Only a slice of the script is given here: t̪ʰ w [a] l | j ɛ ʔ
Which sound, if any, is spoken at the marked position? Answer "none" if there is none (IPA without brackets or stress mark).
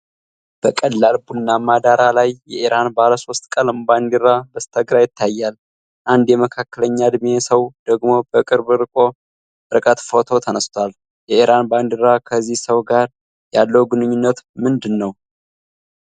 a